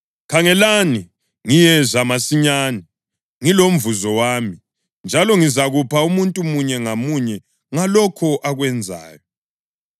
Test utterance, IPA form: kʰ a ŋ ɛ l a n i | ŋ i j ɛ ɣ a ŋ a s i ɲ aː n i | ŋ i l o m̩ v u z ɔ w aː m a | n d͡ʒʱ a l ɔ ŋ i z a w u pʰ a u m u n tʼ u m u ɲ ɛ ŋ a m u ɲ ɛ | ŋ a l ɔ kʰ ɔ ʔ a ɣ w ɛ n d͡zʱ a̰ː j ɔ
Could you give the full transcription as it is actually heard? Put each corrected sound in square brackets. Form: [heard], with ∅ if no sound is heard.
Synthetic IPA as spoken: kʰ a ŋ ɛ l a n i | ŋ i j ɛ [z] a [m] a s i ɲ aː n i | ŋ i l o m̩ v u z ɔ w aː m [i] | n d͡ʒʱ a l ɔ ŋ i z a [ɣ] u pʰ a u m u n tʼ u m u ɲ ɛ ŋ a m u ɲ ɛ | ŋ a l ɔ kʰ ɔ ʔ a ɣ w ɛ n d͡zʱ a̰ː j ɔ

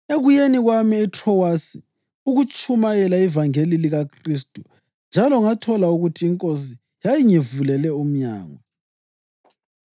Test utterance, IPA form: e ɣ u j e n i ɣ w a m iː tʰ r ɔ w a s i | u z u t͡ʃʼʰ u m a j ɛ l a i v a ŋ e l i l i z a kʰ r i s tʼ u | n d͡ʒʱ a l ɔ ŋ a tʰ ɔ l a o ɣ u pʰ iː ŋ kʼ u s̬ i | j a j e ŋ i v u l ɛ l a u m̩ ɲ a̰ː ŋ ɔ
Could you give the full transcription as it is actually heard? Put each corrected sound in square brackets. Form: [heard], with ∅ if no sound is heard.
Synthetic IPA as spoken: e ɣ u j e n i ɣ w a m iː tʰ r ɔ w a s i | u [ɣ] u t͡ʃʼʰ u m a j ɛ l a i v a ŋ e l i l i [ɣ] a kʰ r i s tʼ u | n d͡ʒʱ a l ɔ ŋ a tʰ ɔ l a [u] ɣ u [tʰ] iː ŋ kʼ [o] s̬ i | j a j [i] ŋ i v u l ɛ l [ɛ] u m̩ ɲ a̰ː ŋ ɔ

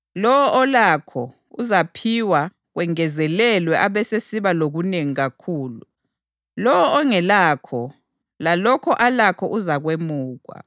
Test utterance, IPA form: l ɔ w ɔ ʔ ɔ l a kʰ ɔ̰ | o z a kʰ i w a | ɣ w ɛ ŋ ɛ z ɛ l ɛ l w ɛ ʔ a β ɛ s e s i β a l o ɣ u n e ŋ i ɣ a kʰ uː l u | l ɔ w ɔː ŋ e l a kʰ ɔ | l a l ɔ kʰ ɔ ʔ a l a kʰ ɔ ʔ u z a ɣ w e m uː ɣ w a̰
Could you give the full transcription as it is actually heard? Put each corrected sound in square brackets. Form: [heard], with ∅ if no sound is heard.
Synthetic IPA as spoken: l ɔ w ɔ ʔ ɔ l a kʰ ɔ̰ | [u] z a [pʰ] i w a | ɣ w ɛ ŋ ɛ z ɛ l ɛ l w ɛ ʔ a β ɛ s e s i β a l o ɣ u n e ŋ i ɣ a kʰ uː l u | l ɔ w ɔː ŋ [ɛ] l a kʰ ɔ | l a l ɔ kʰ ɔ ʔ a l a kʰ ɔ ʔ u z a ɣ w e m uː ɣ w a̰

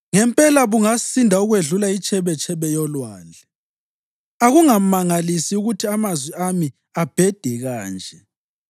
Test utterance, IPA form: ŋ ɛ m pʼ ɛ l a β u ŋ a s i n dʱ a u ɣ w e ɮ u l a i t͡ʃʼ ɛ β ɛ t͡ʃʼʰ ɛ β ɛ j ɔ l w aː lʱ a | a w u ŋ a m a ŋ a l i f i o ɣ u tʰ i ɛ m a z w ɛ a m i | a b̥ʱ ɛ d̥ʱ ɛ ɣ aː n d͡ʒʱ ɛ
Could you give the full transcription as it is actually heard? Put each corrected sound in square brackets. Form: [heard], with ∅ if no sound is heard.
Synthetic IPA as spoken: ŋ ɛ m pʼ ɛ l a β u ŋ a s i n dʱ a u ɣ w e ɮ u l a i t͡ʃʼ ɛ β ɛ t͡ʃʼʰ ɛ β ɛ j ɔ l w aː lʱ [ɛ] | a [ɣ] u ŋ a m a ŋ a l i [s] i [u] ɣ u tʰ i [a] m a z w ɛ a m i | a b̥ʱ ɛ d̥ʱ ɛ ɣ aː n d͡ʒʱ ɛ

